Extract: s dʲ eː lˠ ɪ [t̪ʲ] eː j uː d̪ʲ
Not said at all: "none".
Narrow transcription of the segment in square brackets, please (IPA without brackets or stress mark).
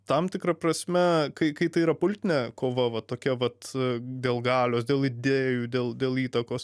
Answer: d̪ʲ